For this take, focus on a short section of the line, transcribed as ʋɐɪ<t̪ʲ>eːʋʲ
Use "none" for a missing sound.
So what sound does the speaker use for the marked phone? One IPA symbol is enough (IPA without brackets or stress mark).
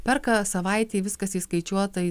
t̪ʲ